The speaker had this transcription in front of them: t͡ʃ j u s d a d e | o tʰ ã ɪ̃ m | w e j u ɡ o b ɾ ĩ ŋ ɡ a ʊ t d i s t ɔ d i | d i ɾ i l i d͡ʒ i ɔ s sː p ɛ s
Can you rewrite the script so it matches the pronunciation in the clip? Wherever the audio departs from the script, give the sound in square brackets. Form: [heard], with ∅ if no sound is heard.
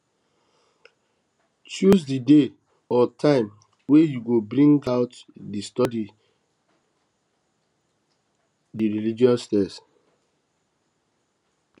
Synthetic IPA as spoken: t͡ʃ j u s d [i] d e | [ɔ] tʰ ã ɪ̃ m | w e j u ɡ o b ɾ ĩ ŋ ɡ a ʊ t d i s t ɔ d i | d i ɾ i l i d͡ʒ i ɔ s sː [t] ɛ s

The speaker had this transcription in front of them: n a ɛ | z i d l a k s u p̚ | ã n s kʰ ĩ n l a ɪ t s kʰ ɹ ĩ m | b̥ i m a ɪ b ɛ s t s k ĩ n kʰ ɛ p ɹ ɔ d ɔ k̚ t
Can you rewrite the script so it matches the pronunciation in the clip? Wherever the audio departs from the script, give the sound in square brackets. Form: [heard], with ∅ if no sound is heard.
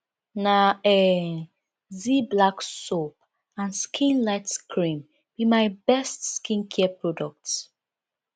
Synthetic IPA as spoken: n a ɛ | z i [b] l a k s [o] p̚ | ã n s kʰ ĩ n l a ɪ t s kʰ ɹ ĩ m | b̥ i m a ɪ b ɛ s t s k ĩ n kʰ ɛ p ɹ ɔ d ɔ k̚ t

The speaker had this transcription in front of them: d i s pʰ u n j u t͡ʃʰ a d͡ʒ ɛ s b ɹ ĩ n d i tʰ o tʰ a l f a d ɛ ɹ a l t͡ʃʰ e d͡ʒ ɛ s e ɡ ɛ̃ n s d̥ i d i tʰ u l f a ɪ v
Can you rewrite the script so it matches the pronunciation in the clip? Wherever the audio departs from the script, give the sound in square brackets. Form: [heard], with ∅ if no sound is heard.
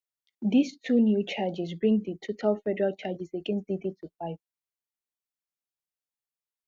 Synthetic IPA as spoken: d i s [tʰ] u n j u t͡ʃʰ a d͡ʒ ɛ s b ɹ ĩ [ŋ] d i tʰ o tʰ a l f [ɛ] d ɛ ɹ a l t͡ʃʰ [a] d͡ʒ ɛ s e ɡ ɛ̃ n s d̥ i d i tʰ u [∅] f a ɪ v

